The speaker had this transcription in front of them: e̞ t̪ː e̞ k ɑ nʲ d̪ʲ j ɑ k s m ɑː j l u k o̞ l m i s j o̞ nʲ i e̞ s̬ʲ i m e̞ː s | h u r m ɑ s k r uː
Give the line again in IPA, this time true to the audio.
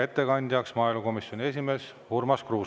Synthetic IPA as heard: e̞ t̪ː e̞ k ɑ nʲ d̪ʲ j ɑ k s m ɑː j l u k o̞ m i s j o̞ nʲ i e̞ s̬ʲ i m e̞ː s | h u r m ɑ s k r uː